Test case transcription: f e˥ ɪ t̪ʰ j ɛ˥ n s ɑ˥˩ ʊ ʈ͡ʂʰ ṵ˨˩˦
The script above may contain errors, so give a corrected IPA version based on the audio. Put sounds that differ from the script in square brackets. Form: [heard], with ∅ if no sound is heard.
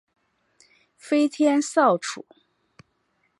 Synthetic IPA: f e˥ ɪ t̪ʰ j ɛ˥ n s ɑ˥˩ ʊ ʈ͡ʂʰ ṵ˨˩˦